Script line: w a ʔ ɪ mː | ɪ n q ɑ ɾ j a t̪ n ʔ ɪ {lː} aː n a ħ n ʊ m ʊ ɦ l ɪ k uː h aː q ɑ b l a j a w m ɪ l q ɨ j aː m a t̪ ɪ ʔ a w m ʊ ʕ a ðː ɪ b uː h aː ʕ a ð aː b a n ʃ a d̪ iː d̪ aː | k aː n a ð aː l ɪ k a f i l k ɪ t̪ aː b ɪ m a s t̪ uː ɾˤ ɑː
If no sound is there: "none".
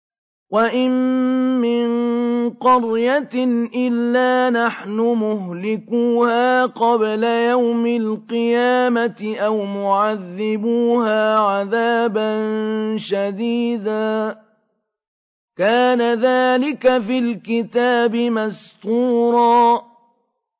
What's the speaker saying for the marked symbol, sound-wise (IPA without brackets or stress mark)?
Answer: lː